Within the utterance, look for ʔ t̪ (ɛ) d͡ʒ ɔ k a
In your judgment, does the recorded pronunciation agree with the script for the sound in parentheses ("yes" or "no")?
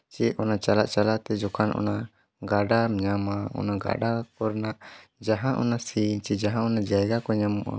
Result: yes